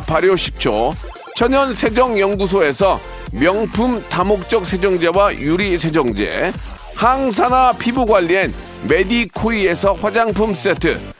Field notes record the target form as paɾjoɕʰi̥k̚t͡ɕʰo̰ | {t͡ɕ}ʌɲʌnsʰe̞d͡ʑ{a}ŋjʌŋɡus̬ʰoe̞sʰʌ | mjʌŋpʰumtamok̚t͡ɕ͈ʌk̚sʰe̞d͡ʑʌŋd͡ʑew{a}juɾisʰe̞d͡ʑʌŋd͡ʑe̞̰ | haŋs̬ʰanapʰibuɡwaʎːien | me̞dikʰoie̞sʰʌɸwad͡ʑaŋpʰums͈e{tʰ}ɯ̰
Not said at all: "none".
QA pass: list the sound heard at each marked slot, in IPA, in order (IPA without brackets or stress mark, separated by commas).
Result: t͡ɕʰ, ʌ, a, tʰ